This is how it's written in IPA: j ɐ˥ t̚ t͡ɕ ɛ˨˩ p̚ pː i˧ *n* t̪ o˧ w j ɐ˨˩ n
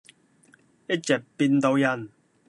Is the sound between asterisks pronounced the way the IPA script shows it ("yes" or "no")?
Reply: yes